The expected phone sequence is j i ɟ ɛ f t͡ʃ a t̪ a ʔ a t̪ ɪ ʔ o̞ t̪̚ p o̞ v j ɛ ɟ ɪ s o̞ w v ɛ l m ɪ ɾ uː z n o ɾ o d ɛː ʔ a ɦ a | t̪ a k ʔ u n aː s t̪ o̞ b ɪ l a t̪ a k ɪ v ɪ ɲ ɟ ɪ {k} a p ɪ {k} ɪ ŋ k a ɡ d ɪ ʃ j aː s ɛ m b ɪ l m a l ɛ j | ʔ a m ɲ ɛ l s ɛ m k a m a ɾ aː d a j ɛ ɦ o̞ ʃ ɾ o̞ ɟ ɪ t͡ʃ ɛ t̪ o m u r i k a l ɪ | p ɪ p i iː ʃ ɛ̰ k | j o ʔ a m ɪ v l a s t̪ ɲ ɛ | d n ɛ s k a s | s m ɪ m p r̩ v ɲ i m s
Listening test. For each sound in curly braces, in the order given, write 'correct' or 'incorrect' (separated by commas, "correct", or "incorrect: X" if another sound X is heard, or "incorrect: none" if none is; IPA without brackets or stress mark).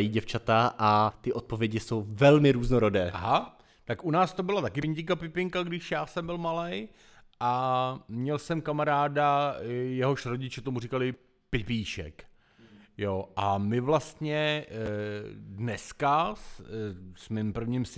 correct, incorrect: p